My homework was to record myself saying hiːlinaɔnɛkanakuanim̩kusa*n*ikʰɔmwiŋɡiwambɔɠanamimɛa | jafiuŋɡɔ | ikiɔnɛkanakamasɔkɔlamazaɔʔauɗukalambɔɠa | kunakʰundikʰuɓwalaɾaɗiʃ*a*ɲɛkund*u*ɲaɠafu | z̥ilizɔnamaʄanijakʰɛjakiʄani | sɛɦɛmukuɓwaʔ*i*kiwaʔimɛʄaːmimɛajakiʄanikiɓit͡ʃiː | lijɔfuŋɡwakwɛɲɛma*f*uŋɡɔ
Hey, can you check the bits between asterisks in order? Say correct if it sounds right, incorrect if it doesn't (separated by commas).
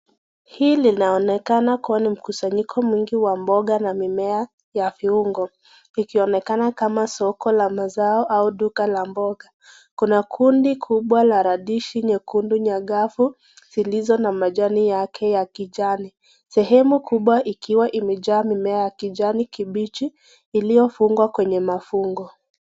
incorrect, incorrect, correct, correct, correct